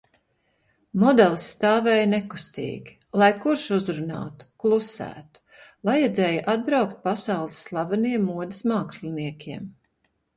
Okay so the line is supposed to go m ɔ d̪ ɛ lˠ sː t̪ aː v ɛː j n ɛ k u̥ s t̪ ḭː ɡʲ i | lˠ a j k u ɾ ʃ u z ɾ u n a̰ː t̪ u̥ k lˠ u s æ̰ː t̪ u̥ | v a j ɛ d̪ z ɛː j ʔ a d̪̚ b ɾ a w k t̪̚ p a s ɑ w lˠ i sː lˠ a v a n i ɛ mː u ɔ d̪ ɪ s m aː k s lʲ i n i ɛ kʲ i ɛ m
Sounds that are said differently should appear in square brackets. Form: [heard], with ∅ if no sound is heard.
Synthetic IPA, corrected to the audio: m ɔ d̪ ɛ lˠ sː t̪ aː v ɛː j n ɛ k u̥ s t̪ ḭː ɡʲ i | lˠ a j k u ɾ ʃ u z ɾ u n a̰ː t̪ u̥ k lˠ u s æ̰ː t̪ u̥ | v a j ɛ d̪ z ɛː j ʔ a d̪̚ b ɾ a w k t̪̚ p a s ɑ w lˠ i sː lˠ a v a n i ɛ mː u ɔ d̪ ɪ s m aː k s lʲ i n i ɛ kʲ i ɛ m